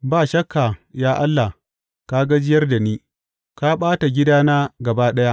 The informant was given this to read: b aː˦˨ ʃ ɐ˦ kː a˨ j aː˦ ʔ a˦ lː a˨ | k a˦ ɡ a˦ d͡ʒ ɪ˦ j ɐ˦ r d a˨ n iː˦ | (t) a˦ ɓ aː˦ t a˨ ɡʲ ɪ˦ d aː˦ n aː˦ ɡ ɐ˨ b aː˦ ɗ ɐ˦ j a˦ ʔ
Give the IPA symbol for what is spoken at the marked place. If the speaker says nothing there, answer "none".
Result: k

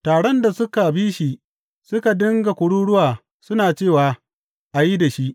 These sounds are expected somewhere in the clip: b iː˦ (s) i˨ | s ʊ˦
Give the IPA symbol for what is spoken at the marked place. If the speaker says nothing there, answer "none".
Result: ʃ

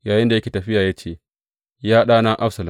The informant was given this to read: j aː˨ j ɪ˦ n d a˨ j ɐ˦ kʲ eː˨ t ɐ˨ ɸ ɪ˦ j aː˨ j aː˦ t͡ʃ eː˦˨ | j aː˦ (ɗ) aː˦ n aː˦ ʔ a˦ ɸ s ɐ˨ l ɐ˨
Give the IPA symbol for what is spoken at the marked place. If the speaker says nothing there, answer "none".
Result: ɗ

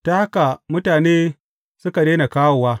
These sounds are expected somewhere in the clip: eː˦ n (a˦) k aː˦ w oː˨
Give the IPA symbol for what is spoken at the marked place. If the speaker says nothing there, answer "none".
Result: a˨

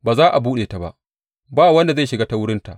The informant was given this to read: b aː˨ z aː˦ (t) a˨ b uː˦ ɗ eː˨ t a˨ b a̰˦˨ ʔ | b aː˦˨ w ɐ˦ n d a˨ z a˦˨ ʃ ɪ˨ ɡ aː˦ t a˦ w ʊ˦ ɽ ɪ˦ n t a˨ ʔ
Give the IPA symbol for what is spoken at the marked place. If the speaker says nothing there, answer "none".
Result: ʔ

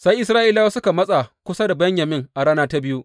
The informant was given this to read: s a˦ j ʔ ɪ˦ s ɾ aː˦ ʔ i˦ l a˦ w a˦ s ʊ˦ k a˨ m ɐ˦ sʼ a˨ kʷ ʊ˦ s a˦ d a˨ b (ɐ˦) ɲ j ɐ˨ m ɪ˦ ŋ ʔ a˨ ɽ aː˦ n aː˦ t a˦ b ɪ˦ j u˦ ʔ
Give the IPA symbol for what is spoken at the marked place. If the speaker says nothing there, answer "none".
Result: ɐ˦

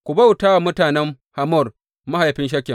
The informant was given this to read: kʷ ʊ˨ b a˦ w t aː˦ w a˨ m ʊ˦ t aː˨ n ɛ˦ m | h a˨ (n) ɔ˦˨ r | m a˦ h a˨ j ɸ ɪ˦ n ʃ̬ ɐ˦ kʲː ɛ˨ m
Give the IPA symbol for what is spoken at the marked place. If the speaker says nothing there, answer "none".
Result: m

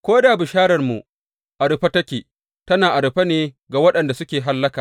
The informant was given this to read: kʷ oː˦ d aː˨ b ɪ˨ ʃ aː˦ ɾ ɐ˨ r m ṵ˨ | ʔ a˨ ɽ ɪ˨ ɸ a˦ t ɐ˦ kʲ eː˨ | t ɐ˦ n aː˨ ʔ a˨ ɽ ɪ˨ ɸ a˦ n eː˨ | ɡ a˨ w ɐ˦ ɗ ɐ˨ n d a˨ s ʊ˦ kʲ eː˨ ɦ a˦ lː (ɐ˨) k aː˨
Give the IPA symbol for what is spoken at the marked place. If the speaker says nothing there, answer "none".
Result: ɐ˦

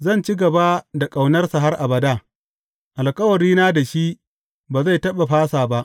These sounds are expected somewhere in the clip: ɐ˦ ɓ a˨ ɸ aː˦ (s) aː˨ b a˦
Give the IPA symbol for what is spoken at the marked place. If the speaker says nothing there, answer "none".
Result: s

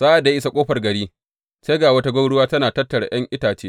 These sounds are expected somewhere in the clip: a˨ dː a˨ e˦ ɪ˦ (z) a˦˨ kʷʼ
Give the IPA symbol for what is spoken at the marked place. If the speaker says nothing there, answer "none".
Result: s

